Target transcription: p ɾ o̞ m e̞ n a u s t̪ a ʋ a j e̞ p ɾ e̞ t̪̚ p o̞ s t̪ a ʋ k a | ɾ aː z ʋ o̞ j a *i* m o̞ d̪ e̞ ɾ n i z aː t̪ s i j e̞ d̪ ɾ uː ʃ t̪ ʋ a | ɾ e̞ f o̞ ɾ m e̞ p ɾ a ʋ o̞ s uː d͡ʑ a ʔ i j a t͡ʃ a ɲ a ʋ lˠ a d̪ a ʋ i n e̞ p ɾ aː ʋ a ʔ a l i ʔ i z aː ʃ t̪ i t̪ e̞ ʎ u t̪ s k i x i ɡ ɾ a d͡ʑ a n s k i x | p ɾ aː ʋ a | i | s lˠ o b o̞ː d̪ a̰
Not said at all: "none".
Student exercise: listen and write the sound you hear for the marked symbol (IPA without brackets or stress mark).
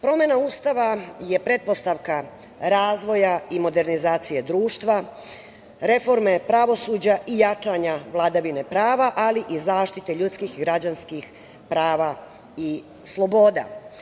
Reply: i